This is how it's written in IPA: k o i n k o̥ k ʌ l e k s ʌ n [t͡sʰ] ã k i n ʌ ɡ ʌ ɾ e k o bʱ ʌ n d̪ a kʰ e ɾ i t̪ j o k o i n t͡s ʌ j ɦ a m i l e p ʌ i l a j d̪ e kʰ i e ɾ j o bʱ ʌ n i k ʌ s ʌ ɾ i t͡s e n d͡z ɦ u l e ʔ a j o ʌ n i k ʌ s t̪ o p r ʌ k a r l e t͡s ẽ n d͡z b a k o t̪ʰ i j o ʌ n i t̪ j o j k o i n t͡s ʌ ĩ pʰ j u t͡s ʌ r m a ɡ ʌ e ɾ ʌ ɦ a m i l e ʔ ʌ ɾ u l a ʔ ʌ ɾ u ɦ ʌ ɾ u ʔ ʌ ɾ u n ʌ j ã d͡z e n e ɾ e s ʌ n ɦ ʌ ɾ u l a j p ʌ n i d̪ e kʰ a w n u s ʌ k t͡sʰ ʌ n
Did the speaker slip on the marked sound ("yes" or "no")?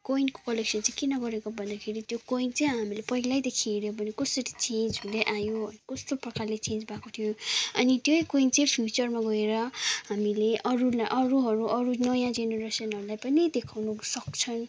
yes